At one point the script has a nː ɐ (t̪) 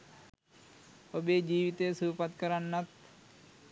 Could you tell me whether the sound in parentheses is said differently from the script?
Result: no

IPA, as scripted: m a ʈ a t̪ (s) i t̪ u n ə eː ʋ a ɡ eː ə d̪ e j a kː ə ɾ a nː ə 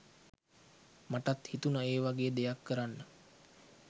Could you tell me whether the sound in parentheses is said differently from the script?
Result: yes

